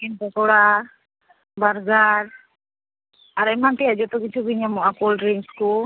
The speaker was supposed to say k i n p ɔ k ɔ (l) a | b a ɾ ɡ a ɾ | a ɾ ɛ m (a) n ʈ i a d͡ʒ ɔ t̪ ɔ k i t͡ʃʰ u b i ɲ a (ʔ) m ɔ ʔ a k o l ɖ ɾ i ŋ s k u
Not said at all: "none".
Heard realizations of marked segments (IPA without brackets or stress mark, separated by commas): ɽ, a, none